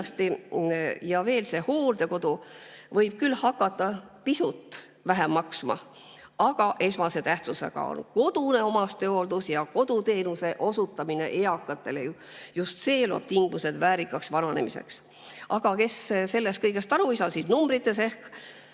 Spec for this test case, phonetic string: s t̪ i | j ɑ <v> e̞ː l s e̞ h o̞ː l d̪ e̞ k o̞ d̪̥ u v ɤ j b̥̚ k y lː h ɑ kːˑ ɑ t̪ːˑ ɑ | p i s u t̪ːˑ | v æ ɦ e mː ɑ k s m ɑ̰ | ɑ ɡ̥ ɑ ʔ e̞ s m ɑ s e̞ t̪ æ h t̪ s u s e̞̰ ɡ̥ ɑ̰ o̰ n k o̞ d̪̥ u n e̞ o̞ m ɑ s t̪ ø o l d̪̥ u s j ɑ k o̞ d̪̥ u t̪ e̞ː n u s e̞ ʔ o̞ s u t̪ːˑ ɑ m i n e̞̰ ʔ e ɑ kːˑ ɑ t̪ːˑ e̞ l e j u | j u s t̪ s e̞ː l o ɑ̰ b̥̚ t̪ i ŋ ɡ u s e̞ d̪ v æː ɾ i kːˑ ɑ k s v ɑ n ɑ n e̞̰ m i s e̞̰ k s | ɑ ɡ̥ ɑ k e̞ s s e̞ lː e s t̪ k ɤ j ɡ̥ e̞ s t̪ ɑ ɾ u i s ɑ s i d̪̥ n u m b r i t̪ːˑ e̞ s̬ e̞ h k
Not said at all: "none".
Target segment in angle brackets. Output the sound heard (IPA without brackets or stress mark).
v